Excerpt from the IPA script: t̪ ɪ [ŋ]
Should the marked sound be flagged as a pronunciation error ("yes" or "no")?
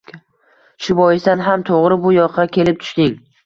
no